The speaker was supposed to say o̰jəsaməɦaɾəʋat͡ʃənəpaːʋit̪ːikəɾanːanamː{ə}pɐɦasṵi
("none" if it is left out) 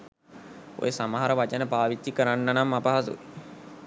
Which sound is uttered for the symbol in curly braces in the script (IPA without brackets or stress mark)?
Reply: a